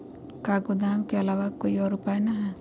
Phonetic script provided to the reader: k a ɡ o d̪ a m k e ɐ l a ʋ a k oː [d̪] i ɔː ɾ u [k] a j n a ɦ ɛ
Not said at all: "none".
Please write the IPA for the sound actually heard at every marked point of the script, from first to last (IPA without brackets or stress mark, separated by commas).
none, p